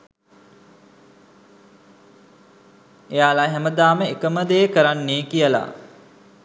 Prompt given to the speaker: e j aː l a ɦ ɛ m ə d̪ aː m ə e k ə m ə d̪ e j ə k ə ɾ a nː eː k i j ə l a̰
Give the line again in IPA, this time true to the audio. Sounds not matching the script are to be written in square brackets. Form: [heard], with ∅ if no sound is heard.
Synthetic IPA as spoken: e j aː l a ɦ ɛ m ə d̪ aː m ə e k ə m ə d̪ e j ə k ə ɾ a nː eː k i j ə l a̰